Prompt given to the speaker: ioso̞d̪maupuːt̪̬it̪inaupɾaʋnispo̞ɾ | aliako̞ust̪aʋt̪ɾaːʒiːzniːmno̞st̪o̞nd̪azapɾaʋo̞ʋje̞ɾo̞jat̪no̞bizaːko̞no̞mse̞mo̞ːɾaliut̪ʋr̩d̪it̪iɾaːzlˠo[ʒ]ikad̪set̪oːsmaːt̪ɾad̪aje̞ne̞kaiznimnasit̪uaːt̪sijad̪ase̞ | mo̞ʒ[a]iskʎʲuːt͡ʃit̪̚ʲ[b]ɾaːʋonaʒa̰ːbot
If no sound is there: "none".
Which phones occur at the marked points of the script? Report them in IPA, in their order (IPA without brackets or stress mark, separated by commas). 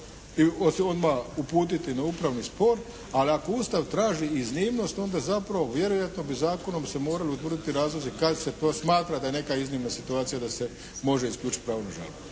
z, e, p